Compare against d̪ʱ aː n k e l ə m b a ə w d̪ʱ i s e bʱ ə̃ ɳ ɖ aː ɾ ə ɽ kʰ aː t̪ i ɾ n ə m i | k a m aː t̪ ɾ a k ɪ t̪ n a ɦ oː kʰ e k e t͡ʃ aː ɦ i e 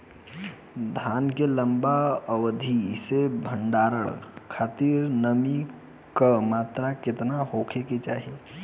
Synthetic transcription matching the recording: d̪ʱ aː n k e l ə m b a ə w d̪ʱ i s e bʱ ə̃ ɳ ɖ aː ɾ ə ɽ kʰ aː t̪ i ɾ n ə m i | k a m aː t̪ ɾ a k ɪ t̪ n a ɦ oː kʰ e k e t͡ʃ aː ɦ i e